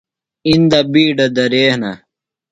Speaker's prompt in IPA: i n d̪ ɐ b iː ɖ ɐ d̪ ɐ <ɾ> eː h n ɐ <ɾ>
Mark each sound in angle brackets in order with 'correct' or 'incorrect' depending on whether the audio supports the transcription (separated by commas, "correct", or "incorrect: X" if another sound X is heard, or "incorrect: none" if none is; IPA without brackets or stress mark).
correct, incorrect: none